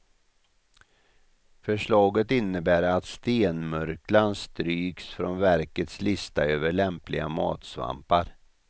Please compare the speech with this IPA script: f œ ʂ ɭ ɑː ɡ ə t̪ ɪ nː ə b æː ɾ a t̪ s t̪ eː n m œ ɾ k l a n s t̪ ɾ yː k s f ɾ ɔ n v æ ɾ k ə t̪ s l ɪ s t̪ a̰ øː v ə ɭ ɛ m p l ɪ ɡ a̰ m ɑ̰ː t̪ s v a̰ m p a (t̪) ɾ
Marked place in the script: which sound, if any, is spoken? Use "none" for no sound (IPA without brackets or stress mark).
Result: none